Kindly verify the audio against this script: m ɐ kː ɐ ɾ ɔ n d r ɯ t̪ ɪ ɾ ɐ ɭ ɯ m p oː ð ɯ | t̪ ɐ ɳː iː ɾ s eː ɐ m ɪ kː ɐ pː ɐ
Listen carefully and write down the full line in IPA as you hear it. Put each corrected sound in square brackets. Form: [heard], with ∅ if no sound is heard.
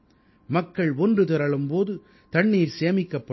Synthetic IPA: m ɐ kː ɐ [ɭ] ɔ n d r ɯ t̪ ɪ ɾ ɐ ɭ ɯ m p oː ð ɯ | t̪ ɐ ɳː iː ɾ s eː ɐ m ɪ kː ɐ pː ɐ

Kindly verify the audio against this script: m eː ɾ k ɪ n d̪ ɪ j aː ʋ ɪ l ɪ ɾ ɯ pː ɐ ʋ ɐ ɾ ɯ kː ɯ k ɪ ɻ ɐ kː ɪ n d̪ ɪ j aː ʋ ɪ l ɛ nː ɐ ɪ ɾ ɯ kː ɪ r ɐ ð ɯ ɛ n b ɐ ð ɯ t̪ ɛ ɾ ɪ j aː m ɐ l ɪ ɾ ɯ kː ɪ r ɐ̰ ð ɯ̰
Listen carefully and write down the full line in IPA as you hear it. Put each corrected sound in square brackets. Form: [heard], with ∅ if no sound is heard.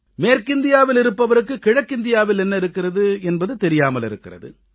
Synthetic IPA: m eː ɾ k ɪ n d̪ ɪ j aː ʋ ɪ l ɪ ɾ ɯ pː ɐ ʋ ɐ ɾ ɯ kː ɯ k ɪ ɻ ɐ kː ɪ n d̪ ɪ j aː ʋ ɪ l ɛ nː ɐ ɪ ɾ ɯ kː ɪ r ɐ ð ɯ ɛ n b ɐ ð ɯ t̪ ɛ ɾ ɪ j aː m ɐ l ɪ ɾ ɯ kː ɪ r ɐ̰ ð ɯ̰

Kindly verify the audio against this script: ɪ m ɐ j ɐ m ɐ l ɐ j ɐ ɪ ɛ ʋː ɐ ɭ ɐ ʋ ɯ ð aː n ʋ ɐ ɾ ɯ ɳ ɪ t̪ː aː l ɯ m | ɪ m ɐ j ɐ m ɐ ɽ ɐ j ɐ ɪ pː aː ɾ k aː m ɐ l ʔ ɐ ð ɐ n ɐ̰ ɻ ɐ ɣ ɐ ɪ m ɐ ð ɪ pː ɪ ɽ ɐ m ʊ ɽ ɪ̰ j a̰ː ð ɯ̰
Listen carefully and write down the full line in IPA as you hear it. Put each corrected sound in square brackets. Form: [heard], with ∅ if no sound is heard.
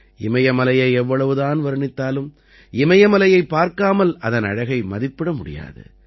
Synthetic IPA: ɪ m ɐ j ɐ m ɐ l ɐ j ɐ ɪ ɛ ʋː ɐ ɭ ɐ ʋ ɯ ð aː n ʋ ɐ ɾ ɯ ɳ ɪ t̪ː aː l ɯ m | ɪ m ɐ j ɐ m ɐ [l] ɐ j ɐ ɪ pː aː ɾ k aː m ɐ l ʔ ɐ ð ɐ n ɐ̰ ɻ ɐ ɣ ɐ ɪ m ɐ ð ɪ pː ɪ ɽ ɐ m ʊ ɽ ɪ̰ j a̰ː ð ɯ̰

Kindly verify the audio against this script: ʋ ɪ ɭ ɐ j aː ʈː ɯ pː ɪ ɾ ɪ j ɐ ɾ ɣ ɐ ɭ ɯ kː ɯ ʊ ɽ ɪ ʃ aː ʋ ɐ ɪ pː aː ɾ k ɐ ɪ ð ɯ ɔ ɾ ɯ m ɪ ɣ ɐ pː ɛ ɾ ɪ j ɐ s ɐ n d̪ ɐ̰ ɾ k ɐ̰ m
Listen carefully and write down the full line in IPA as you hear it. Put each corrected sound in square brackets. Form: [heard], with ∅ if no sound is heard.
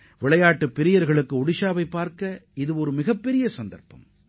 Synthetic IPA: ʋ ɪ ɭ ɐ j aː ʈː ɯ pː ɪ ɾ ɪ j ɐ ɾ ɣ ɐ ɭ ɯ kː ɯ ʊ ɽ ɪ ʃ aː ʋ ɐ ɪ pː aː ɾ k ɐ ɪ ð ɯ ɔ ɾ ɯ m ɪ ɣ ɐ pː ɛ ɾ ɪ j ɐ s ɐ n d̪ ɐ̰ ɾ [p] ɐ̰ m

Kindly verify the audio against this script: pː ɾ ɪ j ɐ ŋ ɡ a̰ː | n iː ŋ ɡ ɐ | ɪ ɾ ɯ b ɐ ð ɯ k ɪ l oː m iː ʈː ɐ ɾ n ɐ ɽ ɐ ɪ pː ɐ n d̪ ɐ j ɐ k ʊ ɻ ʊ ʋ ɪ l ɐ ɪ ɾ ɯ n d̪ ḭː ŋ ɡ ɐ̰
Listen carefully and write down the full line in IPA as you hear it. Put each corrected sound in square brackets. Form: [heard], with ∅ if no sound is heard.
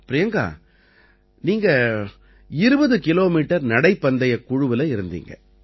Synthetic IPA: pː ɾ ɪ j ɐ ŋ ɡ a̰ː | n iː ŋ ɡ ɐ | ɪ ɾ ɯ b ɐ ð ɯ k ɪ l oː m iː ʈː ɐ ɾ n ɐ ɽ ɐ ɪ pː ɐ n d̪ ɐ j ɐ k ʊ ɻ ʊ ʋ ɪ l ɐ ɪ ɾ ɯ n d̪ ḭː ŋ ɡ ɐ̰

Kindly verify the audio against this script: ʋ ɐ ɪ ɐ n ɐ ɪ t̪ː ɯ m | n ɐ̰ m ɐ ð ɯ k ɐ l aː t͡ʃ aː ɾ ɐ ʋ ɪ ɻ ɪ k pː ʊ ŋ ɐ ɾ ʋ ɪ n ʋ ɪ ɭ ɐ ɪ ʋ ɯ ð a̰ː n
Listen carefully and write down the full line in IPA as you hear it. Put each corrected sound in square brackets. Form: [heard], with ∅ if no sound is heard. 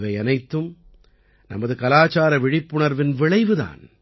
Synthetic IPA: ʋ ɐ ɪ ɐ n ɐ ɪ t̪ː ɯ m | n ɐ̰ m ɐ ð ɯ k ɐ l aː t͡ʃ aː ɾ ɐ ʋ ɪ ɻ ɪ [∅] pː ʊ [ɳ] ɐ ɾ ʋ ɪ n ʋ ɪ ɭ ɐ ɪ ʋ ɯ ð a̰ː n

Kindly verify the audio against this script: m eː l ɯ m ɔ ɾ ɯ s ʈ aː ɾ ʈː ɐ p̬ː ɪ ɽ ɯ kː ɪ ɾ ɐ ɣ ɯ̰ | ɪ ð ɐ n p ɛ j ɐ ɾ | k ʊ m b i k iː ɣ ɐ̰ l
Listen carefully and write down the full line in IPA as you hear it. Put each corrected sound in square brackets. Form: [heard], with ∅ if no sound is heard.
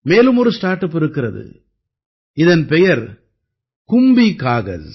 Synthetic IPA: m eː l ɯ m ɔ ɾ ɯ s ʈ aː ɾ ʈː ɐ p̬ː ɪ [ɾ] ɯ kː ɪ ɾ ɐ [ð] ɯ̰ | ɪ ð ɐ n p ɛ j ɐ ɾ | k ʊ m b i k [aː] ɣ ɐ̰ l

